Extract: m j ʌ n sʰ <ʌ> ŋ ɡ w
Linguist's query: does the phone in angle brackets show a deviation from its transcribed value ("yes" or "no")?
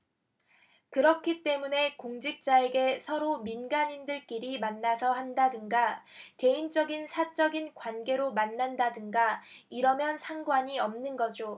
yes